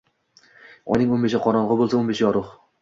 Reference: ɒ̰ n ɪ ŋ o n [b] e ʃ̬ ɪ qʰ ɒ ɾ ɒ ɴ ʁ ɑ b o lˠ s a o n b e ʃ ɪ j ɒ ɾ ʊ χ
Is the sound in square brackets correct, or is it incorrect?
correct